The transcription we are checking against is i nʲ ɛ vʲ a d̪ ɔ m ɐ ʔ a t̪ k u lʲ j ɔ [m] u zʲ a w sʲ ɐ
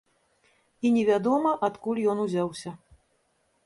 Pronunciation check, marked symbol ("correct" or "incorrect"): incorrect